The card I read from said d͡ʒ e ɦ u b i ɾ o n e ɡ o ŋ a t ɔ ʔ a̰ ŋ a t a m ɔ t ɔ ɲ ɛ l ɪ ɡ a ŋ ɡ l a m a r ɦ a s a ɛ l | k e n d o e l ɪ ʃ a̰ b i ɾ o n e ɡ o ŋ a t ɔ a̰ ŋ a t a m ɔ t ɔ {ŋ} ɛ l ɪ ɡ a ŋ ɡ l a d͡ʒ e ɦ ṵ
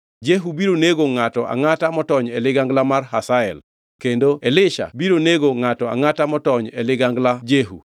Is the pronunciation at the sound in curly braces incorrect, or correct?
incorrect